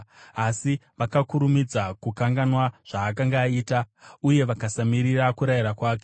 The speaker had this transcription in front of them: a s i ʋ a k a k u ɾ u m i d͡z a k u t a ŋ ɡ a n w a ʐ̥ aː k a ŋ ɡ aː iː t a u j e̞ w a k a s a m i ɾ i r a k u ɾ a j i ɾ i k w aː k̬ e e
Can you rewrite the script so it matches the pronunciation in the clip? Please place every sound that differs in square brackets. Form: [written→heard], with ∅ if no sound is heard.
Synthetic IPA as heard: a s i ʋ a k a k u ɾ u m i d͡z a k u [t→k] a ŋ ɡ a n w a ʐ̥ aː k a ŋ ɡ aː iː t a u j e̞ [w→ʋ] a k a s a m i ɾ i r a k u ɾ a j i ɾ [i→a] k w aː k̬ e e